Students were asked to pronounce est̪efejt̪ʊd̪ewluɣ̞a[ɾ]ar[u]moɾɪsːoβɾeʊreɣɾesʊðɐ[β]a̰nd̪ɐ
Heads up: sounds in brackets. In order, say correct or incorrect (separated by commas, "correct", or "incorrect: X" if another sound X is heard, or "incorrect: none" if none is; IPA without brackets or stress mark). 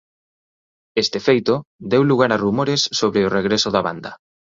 correct, correct, correct